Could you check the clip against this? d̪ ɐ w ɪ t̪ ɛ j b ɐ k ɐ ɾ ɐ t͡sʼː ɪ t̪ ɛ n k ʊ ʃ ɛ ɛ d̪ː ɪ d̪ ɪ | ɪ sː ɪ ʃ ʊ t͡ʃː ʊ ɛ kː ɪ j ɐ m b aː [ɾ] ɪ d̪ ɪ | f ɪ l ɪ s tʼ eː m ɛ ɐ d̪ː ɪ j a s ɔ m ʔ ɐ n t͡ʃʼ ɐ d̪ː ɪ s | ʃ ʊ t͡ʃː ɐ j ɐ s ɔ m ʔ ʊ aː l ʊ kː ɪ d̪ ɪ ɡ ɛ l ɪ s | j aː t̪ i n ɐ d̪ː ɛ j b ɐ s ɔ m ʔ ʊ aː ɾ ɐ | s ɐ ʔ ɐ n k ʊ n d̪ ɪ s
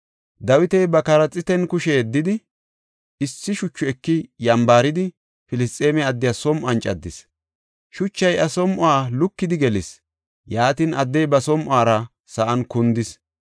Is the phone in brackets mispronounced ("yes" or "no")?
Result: no